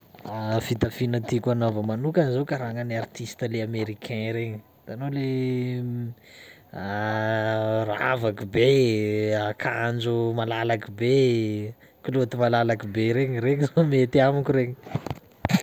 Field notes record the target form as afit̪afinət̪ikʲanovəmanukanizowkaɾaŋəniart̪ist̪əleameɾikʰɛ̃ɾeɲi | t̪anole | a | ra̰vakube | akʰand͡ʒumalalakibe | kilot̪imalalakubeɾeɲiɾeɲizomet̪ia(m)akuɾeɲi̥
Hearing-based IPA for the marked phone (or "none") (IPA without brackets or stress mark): m